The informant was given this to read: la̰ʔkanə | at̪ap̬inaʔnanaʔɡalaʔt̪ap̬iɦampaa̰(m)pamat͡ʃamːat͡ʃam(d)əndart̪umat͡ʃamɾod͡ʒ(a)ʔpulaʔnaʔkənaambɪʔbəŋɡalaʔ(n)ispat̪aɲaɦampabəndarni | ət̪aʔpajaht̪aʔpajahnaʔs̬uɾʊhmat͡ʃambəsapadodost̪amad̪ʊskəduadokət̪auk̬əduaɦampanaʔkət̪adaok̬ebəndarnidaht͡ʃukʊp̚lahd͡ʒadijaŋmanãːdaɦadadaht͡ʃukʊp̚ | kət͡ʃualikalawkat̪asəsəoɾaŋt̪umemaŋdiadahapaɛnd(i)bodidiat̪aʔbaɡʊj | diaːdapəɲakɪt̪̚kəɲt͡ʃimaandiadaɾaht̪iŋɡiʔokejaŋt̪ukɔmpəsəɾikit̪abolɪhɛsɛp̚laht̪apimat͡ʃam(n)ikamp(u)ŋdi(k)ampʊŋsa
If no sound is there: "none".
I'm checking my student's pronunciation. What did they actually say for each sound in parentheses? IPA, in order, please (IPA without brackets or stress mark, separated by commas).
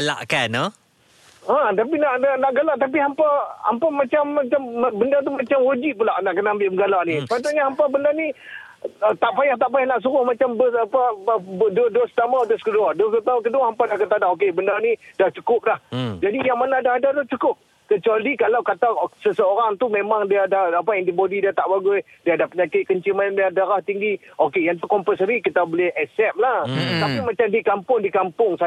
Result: m, b, i, n, i, d, ʊ, k